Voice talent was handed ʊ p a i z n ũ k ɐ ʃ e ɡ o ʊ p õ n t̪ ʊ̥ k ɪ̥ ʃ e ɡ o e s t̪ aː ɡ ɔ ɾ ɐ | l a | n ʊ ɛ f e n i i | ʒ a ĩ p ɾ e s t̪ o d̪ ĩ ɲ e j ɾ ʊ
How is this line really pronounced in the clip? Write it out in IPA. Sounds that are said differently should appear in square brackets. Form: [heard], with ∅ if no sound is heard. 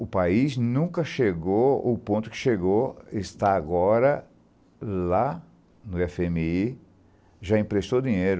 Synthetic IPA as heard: ʊ p a i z n ũ k ɐ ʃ e ɡ o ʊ p õ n t̪ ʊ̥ k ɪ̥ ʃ e ɡ o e s t̪ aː ɡ ɔ ɾ ɐ | l a | n ʊ ɛ f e [m] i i | ʒ a ĩ p ɾ e s t̪ o d̪ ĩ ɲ e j ɾ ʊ